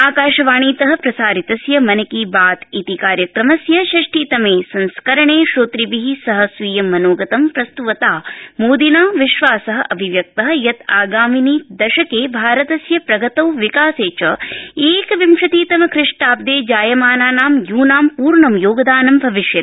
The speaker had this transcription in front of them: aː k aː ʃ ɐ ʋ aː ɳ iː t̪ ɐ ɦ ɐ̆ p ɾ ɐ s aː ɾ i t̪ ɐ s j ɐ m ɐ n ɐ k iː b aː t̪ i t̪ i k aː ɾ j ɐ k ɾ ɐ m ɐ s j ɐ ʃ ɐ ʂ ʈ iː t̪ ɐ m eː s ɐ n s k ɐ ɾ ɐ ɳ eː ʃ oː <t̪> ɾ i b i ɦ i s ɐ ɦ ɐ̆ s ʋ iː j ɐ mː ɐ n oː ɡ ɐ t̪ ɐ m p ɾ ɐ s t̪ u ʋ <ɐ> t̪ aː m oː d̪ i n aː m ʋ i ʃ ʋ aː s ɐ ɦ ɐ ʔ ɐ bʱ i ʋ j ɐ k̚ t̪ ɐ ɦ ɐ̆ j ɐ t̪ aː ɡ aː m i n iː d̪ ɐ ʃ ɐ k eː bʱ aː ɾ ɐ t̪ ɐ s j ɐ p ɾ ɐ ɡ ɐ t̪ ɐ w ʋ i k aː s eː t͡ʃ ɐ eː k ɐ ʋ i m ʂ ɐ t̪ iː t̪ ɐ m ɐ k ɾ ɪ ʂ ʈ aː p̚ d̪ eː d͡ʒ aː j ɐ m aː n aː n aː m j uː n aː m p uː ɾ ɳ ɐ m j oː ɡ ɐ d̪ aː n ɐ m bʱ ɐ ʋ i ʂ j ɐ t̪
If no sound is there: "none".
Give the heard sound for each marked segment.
t̪, ɐ

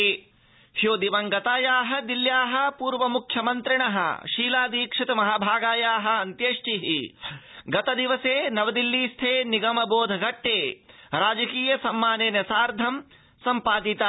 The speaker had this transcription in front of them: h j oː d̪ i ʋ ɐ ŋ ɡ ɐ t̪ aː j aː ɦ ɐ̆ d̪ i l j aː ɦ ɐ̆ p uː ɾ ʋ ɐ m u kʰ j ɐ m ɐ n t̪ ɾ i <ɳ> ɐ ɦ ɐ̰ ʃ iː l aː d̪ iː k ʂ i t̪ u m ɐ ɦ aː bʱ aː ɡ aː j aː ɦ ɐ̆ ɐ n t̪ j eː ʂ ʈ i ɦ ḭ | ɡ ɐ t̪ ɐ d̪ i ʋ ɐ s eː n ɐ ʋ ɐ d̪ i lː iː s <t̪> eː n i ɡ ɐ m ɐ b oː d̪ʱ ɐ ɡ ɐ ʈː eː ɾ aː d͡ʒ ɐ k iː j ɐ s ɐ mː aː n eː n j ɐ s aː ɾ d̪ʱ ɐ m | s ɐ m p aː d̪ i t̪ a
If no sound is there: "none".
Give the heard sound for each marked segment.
ɳ, t̪ʰ

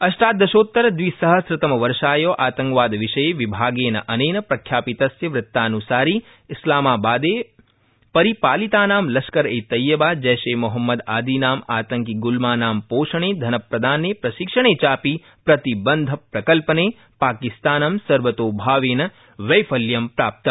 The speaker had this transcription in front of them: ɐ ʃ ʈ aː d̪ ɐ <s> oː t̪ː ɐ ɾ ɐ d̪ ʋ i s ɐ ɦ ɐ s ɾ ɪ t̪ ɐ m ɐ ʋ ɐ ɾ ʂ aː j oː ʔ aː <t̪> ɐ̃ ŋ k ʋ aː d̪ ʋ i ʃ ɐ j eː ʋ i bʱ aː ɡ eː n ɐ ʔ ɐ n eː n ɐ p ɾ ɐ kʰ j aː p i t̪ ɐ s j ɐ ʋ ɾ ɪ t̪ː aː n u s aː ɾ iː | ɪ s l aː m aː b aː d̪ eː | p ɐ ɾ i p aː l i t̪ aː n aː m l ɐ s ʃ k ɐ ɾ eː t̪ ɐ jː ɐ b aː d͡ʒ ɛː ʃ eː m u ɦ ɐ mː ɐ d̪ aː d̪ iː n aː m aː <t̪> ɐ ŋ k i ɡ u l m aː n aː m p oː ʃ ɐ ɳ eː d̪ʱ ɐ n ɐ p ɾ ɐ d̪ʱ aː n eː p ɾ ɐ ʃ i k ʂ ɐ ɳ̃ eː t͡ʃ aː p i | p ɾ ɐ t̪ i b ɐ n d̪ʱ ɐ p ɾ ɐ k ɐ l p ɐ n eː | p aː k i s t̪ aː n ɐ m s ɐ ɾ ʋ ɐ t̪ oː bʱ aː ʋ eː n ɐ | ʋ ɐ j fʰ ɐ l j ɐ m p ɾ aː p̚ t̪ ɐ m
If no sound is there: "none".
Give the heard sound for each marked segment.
ʃ, t̪, t̪

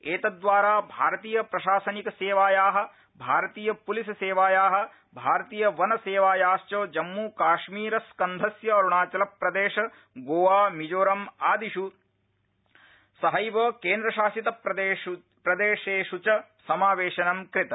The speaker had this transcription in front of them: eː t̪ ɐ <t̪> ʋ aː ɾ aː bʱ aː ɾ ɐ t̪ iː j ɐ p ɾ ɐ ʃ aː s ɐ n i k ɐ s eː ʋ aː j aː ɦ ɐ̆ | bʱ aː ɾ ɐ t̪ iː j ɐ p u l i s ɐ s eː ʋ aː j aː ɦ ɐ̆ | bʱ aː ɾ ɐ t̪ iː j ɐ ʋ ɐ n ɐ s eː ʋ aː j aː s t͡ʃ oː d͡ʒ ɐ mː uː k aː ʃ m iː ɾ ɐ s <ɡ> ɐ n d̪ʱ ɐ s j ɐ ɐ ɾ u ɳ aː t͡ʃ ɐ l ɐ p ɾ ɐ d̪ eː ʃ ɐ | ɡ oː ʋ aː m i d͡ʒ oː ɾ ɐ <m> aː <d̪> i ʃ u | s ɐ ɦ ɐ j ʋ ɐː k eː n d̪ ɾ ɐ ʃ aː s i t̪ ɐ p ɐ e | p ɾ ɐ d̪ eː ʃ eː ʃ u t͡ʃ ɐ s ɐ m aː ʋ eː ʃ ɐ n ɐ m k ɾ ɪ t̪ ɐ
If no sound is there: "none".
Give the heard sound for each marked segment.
d̪, k, m, d̪

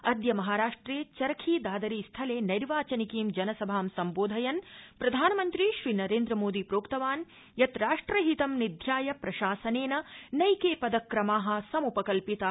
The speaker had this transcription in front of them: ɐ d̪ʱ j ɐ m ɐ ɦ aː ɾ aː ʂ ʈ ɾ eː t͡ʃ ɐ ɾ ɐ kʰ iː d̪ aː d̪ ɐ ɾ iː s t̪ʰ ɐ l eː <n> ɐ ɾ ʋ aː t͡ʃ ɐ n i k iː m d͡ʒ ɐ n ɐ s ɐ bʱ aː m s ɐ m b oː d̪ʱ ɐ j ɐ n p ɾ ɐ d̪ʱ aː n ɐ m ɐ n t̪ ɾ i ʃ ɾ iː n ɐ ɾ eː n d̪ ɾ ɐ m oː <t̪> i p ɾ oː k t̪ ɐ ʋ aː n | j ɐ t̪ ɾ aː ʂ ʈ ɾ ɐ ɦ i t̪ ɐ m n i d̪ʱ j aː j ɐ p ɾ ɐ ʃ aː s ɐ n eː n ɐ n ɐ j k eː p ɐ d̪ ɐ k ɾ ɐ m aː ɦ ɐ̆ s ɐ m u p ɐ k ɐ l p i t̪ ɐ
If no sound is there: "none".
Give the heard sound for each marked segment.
n, d̪

